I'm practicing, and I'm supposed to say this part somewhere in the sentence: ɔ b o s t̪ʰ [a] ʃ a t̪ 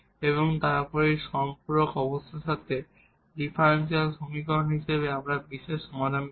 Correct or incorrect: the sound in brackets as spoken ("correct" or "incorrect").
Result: correct